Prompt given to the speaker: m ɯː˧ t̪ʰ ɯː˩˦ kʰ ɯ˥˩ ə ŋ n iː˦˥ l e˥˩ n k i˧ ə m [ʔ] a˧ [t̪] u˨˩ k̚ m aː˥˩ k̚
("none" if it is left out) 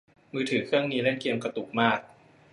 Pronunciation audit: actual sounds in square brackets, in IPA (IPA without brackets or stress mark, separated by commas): k, t̪